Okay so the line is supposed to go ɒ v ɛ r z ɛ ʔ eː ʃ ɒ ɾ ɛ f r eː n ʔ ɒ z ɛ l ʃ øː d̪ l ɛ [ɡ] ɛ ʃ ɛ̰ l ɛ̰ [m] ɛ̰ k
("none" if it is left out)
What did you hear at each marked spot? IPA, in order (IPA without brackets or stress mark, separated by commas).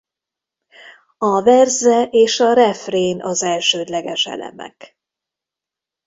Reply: ɡ, m